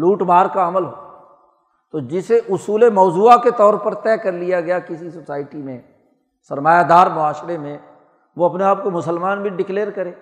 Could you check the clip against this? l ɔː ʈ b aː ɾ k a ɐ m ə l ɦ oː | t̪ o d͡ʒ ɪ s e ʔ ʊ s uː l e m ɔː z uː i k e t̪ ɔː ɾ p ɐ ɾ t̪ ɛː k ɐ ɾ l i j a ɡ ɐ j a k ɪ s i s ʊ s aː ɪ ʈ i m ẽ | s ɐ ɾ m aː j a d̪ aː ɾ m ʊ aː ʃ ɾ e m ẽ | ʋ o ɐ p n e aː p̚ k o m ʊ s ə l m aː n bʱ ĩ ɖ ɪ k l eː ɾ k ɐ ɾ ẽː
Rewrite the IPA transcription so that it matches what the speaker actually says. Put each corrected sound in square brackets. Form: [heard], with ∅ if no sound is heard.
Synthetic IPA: l [uː] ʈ b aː ɾ k a ɐ m ə l ɦ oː | t̪ o d͡ʒ ɪ s e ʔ ʊ s uː l e m ɔː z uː [a] k e t̪ ɔː ɾ p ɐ ɾ t̪ ɛː k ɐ ɾ l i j a ɡ ɐ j a k ɪ s i s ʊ s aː ɪ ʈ i m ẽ | s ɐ ɾ m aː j a d̪ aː ɾ m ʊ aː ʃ ɾ e m ẽ | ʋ o ɐ p n e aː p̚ k o m ʊ s ə l m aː n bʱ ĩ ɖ ɪ k l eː ɾ k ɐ ɾ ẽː